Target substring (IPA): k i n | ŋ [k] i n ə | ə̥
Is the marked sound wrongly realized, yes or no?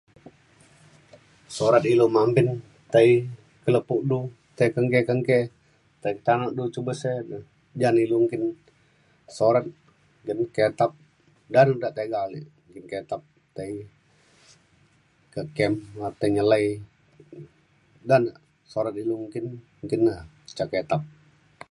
no